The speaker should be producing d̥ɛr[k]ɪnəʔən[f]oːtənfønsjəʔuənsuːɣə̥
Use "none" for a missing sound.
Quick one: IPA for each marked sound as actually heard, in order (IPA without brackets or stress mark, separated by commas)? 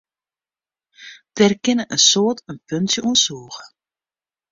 k, s